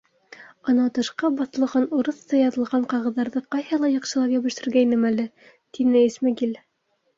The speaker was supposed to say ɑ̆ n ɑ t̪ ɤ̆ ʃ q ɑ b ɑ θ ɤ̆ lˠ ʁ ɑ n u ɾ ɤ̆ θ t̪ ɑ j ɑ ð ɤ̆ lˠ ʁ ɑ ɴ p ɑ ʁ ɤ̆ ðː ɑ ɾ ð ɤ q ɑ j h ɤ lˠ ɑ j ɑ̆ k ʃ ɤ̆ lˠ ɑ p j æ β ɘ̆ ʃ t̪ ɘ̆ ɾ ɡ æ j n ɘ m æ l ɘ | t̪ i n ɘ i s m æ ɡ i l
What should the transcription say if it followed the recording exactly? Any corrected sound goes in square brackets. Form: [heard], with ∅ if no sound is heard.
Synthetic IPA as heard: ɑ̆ n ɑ t̪ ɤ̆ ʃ q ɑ b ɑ θ ɤ̆ lˠ ʁ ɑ n u ɾ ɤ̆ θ t̪ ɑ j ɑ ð ɤ̆ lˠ ʁ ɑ ɴ [q] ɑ ʁ ɤ̆ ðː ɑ ɾ ð ɤ q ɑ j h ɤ lˠ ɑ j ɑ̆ [q] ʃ ɤ̆ lˠ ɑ p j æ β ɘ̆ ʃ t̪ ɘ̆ ɾ ɡ æ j n ɘ m æ l ɘ | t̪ i n ɘ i s m æ ɡ i l